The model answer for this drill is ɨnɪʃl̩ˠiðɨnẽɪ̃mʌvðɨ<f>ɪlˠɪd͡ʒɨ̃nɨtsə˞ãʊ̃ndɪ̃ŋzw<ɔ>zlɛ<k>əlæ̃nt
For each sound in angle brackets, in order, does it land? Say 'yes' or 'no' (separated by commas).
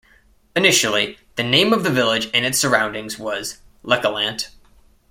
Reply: no, no, yes